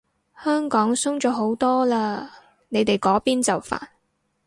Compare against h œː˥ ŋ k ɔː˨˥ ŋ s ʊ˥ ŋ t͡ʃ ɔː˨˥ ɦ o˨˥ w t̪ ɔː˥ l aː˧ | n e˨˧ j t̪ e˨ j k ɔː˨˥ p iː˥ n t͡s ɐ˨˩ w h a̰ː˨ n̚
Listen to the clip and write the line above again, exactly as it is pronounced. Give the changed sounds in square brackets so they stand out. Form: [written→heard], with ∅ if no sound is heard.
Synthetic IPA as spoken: h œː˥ ŋ k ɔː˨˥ ŋ s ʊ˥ ŋ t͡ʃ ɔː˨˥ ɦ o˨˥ w t̪ ɔː˥ l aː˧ | n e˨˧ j t̪ e˨ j k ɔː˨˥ p iː˥ n t͡s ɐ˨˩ w [h→f] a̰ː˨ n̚